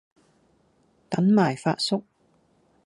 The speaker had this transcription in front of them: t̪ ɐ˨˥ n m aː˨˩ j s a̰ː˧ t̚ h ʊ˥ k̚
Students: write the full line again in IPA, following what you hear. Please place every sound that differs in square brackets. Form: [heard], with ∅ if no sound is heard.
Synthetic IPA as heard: t̪ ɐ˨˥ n m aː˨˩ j [f] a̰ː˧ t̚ [s] ʊ˥ k̚